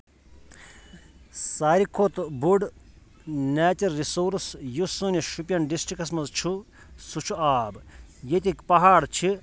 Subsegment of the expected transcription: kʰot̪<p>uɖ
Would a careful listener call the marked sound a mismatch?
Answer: yes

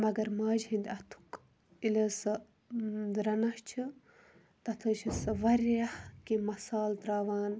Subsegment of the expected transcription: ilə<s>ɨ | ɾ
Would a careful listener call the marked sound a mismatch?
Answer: no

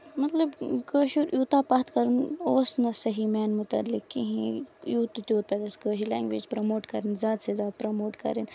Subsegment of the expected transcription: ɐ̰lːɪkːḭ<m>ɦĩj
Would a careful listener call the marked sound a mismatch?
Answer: yes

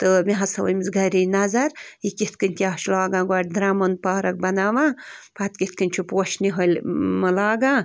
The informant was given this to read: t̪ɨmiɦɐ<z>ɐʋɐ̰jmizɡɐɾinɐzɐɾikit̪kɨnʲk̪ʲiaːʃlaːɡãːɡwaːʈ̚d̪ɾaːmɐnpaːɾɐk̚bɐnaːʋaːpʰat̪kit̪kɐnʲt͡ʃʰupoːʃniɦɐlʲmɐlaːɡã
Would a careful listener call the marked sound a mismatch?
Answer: yes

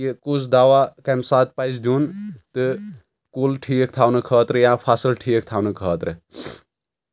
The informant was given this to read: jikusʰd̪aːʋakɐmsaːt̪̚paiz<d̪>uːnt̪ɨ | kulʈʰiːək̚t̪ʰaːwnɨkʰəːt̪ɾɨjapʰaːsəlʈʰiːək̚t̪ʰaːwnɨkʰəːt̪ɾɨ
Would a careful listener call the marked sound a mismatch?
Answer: no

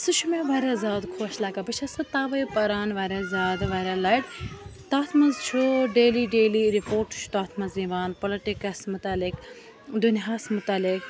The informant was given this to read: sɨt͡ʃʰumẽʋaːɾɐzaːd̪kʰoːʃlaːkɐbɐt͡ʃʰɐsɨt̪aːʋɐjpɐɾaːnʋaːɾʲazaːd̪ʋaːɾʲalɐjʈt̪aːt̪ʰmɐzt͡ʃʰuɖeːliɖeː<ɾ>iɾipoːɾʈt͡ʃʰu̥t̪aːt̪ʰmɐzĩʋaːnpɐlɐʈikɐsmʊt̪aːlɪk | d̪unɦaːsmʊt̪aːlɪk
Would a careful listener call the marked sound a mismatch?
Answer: yes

